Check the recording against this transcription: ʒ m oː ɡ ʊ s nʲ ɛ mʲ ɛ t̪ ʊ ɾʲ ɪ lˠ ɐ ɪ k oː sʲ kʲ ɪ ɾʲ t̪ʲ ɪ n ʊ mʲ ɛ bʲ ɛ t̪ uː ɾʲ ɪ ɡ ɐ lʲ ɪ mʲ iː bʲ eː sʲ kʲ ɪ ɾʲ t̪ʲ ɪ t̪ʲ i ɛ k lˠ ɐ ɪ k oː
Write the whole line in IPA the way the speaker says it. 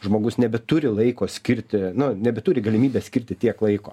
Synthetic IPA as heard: ʒ m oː ɡ ʊ s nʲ ɛ bʲ ɛ t̪ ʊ ɾʲ ɪ lˠ ɐ ɪ k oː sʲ kʲ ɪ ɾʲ t̪ʲ ɪ n ʊ nʲ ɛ bʲ ɛ t̪ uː ɾʲ ɪ ɡ ɐ lʲ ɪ mʲ iː bʲ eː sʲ kʲ ɪ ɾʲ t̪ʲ ɪ t̪ʲ i ɛ k lˠ ɐ ɪ k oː